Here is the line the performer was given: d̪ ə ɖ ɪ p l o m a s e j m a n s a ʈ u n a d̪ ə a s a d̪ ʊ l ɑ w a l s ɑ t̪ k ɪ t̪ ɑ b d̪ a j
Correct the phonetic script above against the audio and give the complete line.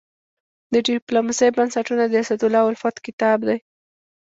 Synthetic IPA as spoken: d̪ ə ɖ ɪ p l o m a s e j b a n s a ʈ u n a d̪ ə a s a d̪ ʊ l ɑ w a l f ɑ t̪ k ɪ t̪ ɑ b d̪ a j